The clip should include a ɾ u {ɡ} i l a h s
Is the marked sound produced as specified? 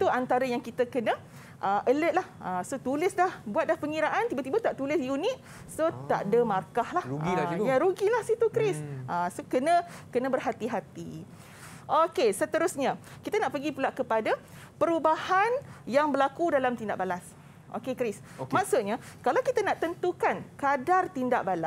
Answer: yes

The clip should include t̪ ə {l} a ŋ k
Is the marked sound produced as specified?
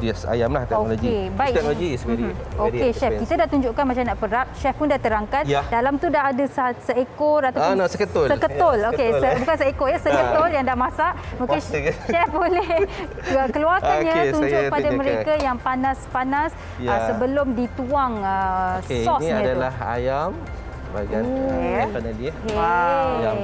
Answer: no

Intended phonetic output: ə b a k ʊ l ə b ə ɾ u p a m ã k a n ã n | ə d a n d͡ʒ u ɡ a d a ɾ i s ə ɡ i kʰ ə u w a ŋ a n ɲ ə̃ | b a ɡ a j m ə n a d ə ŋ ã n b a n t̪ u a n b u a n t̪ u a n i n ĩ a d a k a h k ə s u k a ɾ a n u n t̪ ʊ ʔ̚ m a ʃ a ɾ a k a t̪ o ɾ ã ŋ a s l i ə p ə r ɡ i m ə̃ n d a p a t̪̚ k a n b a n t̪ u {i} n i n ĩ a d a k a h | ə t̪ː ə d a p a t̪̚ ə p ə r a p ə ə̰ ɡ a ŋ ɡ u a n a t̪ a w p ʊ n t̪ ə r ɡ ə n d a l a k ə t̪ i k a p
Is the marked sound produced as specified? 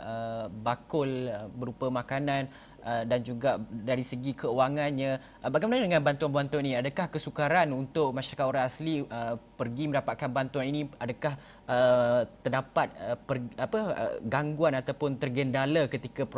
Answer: no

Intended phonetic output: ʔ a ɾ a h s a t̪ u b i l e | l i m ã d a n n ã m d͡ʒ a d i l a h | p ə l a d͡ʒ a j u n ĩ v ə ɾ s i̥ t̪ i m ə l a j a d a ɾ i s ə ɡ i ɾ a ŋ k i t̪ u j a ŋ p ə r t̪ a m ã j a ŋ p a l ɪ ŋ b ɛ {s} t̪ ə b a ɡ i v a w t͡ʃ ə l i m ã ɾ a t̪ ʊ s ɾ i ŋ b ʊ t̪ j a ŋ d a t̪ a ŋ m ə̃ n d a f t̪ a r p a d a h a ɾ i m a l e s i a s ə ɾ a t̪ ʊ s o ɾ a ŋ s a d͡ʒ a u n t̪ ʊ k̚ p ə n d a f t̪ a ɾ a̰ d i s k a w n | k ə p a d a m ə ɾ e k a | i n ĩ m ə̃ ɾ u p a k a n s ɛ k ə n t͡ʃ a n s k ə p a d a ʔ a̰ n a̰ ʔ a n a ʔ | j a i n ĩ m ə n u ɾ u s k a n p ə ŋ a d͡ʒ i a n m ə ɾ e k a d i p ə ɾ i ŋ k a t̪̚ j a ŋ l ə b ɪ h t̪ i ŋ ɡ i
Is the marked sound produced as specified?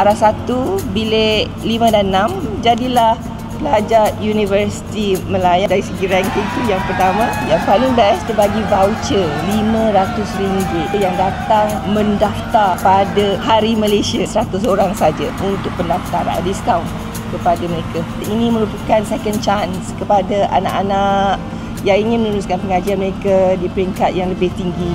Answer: yes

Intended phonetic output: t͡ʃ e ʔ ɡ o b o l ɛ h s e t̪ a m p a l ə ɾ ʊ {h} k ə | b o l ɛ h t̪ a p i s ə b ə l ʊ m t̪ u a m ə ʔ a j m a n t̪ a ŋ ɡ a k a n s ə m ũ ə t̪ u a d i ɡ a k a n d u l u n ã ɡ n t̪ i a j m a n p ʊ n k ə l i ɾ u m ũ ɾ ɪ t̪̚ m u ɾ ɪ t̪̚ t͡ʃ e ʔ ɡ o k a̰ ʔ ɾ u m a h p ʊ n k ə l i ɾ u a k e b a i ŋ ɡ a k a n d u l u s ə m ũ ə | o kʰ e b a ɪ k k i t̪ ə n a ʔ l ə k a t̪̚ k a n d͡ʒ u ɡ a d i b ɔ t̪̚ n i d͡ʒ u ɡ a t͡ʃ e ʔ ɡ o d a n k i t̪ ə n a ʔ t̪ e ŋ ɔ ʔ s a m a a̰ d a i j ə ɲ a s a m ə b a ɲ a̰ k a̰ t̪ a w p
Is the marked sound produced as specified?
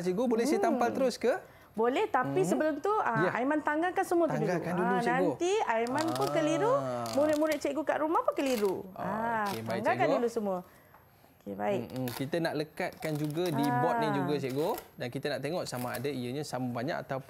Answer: no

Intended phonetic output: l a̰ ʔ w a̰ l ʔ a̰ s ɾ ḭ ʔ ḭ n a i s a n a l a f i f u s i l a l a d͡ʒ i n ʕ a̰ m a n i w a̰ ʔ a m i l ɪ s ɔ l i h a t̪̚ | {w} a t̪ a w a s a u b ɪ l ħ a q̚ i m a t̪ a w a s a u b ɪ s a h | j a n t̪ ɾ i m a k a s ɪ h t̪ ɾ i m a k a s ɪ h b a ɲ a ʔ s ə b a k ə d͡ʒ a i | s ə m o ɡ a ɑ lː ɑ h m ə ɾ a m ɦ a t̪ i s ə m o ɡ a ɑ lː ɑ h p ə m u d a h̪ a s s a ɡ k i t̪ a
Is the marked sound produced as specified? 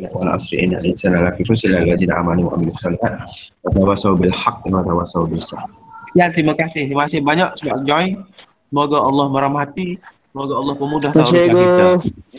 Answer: yes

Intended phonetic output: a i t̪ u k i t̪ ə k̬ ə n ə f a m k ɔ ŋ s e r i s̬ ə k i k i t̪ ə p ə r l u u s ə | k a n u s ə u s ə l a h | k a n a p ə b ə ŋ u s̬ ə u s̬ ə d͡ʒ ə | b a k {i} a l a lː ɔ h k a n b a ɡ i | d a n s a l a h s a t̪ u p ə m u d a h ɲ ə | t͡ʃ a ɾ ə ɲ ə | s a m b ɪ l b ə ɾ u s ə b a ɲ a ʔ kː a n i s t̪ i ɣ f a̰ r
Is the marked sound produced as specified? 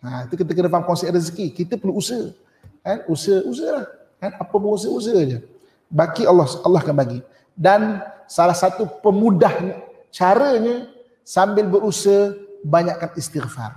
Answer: yes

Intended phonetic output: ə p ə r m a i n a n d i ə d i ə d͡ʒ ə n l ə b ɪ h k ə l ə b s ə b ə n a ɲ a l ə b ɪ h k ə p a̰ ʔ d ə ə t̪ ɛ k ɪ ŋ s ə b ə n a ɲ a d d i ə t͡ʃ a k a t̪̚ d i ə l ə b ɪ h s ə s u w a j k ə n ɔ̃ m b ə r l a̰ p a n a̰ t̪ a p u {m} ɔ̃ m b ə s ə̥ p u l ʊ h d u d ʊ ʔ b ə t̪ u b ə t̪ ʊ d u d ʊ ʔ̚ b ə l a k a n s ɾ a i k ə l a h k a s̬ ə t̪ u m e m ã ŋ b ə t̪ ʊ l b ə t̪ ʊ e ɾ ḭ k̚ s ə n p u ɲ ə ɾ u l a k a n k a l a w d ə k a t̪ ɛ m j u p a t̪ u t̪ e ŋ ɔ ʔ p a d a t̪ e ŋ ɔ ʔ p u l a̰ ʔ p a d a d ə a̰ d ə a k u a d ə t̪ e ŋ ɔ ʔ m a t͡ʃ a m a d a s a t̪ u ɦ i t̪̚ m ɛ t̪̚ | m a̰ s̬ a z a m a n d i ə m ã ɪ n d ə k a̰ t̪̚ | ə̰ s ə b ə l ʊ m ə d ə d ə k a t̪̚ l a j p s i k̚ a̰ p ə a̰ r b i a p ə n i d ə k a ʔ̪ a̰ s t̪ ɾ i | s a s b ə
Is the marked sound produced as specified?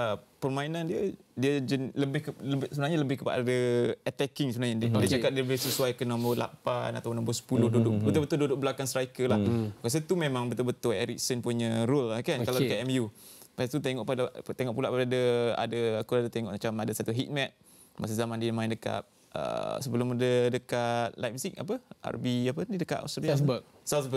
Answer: no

